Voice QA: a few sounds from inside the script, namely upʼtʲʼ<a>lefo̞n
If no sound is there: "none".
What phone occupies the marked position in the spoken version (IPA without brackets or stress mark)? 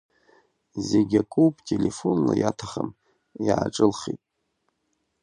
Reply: e